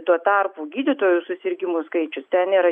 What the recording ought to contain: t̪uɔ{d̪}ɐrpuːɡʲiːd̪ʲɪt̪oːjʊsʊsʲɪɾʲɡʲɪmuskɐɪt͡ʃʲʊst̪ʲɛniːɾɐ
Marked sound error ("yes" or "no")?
yes